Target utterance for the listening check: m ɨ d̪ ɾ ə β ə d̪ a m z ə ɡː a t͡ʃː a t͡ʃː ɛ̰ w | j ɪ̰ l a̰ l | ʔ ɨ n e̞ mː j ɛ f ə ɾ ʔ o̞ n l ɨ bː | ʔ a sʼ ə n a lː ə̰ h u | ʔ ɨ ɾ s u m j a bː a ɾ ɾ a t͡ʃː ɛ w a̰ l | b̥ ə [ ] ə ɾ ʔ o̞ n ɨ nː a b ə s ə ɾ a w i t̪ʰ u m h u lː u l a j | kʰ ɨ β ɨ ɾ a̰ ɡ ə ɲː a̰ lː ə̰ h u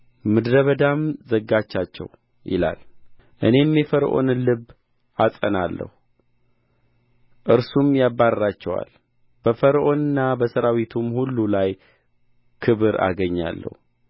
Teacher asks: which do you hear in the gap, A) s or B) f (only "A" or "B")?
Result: B